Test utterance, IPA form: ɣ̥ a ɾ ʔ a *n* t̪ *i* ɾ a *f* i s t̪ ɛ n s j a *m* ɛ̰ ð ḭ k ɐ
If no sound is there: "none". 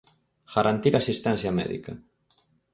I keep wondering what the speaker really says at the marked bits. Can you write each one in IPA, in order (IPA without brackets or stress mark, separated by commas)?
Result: n, i, s, m